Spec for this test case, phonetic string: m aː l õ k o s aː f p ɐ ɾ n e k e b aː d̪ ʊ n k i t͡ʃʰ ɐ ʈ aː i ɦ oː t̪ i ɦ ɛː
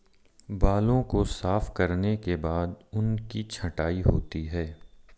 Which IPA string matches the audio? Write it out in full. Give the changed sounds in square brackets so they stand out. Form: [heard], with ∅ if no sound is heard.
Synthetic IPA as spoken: [b] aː l õ k o s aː f [k] ɐ ɾ n e k e b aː d̪ ʊ n k i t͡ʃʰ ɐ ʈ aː i ɦ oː t̪ i ɦ ɛː